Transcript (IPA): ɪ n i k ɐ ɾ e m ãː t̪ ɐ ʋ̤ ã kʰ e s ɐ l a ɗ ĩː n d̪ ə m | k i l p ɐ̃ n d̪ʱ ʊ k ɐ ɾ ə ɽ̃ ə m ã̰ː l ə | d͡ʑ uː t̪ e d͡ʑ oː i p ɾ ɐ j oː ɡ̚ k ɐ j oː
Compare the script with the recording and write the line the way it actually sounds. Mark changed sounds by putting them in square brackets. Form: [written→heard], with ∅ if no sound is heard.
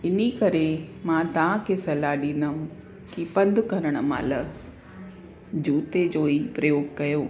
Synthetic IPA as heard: ɪ n i k ɐ ɾ e m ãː t̪ ɐ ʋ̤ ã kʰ e s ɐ l a ɗ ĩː n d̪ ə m | k i [l→∅] p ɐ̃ n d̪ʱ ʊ k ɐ ɾ ə ɽ̃ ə m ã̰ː l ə | d͡ʑ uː t̪ e d͡ʑ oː i p ɾ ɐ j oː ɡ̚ k ɐ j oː

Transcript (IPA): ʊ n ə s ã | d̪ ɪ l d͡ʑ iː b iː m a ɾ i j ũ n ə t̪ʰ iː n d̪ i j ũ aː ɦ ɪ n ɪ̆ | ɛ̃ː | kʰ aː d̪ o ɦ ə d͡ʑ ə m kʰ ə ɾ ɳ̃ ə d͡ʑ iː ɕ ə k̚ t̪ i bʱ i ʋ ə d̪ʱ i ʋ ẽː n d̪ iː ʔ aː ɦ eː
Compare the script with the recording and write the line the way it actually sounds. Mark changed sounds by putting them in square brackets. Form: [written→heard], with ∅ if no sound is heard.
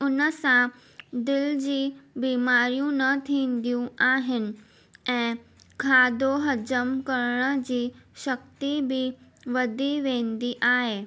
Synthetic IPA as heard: ʊ n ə s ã | d̪ ɪ l d͡ʑ iː b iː m a ɾ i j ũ n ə t̪ʰ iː n d̪ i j ũ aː ɦ ɪ n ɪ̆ | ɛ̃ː | kʰ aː d̪ o ɦ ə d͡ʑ ə m [kʰ→k] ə ɾ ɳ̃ ə d͡ʑ iː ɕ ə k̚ t̪ i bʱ i ʋ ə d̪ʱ i ʋ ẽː n d̪ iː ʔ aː ɦ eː

